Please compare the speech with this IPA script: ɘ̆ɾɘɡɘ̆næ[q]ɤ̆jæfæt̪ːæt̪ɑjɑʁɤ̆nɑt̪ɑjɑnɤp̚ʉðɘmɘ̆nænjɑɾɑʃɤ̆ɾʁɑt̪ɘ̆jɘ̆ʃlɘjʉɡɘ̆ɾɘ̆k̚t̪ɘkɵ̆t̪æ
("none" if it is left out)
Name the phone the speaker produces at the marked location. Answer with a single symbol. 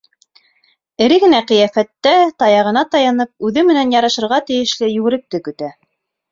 q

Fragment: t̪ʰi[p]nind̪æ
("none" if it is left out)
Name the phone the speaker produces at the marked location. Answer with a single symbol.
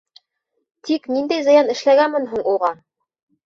k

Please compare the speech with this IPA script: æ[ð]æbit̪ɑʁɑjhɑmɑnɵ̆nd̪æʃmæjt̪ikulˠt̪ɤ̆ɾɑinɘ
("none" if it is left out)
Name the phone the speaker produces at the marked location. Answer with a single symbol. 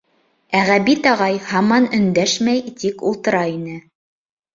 ʁ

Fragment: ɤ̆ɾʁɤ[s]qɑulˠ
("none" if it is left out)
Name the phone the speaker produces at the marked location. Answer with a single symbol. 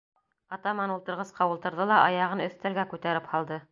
s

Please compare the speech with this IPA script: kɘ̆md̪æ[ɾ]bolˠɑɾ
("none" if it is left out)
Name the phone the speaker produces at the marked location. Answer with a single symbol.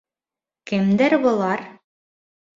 ɾ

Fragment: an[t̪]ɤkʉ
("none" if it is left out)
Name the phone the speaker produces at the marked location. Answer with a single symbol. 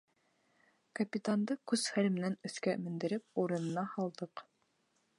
d̪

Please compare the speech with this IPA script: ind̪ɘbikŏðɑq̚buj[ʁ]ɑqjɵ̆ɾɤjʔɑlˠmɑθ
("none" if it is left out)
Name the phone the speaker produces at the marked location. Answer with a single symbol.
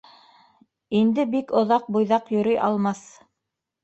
ð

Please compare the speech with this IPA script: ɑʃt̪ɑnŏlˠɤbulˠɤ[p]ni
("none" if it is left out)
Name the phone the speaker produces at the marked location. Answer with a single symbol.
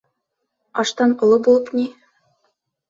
p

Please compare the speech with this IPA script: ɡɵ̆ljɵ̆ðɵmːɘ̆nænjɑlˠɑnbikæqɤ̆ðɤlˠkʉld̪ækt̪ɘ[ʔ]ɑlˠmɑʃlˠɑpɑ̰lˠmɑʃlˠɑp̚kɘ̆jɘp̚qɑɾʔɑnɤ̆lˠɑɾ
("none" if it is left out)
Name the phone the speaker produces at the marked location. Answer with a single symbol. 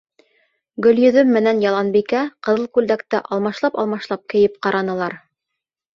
ʔ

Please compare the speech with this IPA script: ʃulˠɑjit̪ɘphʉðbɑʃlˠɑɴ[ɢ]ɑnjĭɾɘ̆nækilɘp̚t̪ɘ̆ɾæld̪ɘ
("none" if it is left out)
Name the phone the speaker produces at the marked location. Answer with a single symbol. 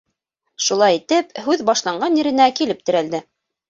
ɢ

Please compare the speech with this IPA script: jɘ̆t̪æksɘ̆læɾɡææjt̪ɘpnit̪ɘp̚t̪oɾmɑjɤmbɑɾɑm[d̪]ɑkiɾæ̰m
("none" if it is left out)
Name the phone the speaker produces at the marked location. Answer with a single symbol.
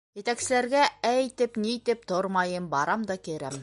d̪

